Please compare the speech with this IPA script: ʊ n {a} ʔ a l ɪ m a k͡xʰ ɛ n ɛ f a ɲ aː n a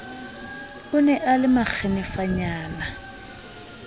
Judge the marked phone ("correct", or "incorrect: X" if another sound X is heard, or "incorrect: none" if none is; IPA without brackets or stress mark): incorrect: ɛ